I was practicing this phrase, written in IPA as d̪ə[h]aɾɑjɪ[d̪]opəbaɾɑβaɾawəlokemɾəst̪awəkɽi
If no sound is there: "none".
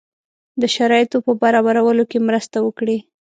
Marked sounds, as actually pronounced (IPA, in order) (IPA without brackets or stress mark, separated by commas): ʃ, t̪